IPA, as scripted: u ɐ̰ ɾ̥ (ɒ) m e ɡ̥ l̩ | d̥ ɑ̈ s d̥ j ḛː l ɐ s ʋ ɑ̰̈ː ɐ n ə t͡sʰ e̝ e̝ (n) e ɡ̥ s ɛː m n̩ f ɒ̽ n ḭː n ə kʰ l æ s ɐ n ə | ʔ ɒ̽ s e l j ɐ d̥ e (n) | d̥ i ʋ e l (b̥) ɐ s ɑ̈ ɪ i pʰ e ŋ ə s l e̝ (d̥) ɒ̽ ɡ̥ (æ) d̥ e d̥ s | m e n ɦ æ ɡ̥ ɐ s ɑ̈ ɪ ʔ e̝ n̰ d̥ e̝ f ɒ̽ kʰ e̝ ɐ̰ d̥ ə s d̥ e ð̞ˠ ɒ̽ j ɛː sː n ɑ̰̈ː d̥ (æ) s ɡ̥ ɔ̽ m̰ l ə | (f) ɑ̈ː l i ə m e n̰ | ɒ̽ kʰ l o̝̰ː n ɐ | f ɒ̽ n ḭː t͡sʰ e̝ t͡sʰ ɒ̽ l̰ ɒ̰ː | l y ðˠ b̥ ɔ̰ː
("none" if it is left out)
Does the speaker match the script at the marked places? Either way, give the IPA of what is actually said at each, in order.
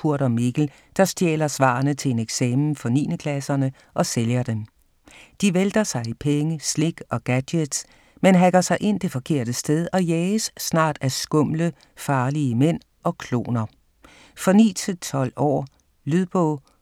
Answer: ɒ, n, m, d̥, ɡ̥, æ, æ, f

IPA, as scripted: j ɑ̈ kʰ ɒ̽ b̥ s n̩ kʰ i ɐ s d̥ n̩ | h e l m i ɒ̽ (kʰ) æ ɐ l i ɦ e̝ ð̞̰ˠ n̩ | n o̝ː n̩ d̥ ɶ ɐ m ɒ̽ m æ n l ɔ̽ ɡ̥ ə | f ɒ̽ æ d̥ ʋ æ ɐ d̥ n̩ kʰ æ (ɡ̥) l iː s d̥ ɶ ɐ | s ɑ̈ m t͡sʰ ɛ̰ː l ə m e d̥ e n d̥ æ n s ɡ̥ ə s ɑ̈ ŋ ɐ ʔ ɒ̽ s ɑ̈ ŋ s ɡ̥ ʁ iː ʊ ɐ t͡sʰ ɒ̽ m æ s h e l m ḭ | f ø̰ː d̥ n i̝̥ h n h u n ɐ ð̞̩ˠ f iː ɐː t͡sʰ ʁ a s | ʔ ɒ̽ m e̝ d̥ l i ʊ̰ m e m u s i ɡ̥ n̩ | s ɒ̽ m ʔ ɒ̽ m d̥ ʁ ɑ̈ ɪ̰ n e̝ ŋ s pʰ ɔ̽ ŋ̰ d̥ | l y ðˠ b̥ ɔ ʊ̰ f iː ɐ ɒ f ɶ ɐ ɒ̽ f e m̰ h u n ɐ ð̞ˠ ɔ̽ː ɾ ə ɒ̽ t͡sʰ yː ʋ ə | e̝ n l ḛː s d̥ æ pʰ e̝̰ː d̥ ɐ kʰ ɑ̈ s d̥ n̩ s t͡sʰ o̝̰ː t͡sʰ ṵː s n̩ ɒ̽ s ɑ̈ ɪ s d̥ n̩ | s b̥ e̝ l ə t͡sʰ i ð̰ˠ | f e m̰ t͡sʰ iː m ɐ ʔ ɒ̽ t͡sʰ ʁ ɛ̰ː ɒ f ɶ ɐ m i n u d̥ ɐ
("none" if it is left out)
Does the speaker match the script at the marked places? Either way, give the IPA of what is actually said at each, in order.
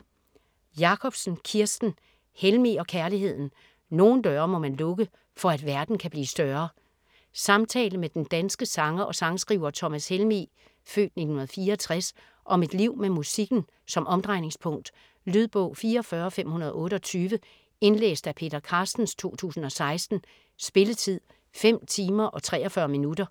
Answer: kʰ, b̥

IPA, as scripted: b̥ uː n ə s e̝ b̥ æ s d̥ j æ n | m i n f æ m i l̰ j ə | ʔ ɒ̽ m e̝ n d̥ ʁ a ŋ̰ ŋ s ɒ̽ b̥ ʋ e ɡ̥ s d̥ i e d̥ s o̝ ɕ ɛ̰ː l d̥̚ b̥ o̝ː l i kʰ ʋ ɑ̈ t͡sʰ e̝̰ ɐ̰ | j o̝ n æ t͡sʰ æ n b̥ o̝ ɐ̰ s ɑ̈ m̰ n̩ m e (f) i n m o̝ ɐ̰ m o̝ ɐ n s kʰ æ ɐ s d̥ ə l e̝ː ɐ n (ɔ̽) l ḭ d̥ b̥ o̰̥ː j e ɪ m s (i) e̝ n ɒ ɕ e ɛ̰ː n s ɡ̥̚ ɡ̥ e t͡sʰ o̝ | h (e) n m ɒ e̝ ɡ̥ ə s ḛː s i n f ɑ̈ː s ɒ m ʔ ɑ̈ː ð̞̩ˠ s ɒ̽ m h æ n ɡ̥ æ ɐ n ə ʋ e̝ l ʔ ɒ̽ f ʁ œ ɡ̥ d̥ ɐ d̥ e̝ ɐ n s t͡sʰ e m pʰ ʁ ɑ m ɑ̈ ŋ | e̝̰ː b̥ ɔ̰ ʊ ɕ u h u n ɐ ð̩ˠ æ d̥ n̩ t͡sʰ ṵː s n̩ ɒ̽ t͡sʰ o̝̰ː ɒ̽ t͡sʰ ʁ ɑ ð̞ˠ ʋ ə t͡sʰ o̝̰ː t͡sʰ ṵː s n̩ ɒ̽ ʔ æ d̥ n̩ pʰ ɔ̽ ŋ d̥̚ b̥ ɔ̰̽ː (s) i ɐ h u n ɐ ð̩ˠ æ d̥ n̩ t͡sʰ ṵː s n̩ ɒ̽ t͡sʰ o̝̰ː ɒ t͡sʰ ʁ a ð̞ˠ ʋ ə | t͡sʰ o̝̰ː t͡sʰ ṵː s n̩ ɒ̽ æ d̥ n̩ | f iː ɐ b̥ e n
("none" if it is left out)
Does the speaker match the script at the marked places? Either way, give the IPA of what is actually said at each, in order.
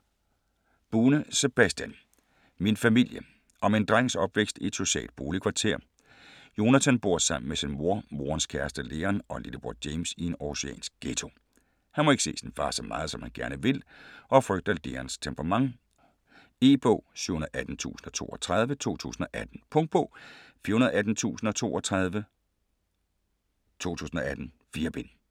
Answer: s, ɒ̽, i, æ, f

